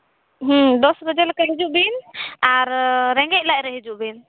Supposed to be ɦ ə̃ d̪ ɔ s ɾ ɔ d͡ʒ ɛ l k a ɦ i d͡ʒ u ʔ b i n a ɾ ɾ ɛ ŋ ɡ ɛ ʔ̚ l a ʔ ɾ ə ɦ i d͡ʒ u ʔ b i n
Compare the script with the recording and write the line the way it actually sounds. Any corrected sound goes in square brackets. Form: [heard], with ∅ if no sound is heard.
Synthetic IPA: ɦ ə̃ d̪ ɔ s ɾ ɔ d͡ʒ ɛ l k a ɦ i d͡ʒ u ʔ b i n a ɾ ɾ ɛ ŋ ɡ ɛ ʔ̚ l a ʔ ɾ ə ɦ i d͡ʒ u ʔ b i n